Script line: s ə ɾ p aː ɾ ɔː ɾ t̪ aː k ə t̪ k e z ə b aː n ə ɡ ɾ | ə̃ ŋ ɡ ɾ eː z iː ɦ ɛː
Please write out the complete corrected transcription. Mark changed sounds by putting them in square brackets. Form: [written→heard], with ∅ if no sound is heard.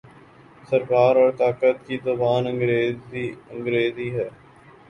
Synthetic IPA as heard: s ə ɾ [p→k] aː ɾ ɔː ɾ t̪ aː k ə t̪ k [e→i] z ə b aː n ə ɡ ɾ | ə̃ ŋ ɡ ɾ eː z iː ɦ ɛː